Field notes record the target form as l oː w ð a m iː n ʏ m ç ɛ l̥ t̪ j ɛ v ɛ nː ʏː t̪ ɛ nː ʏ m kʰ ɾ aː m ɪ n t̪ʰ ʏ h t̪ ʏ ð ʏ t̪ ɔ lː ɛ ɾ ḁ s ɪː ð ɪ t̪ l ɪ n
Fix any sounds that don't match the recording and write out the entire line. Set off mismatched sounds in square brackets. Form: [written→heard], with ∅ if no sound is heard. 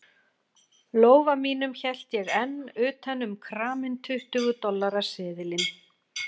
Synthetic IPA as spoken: l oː w [ð→v] a m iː n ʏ m ç ɛ l̥ t̪ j ɛ [v→ɣ] ɛ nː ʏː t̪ ɛ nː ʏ m kʰ ɾ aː m ɪ n t̪ʰ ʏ h t̪ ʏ [ð→ɣ] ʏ t̪ ɔ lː [ɛ→a] ɾ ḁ s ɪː ð ɪ [t̪→∅] l ɪ n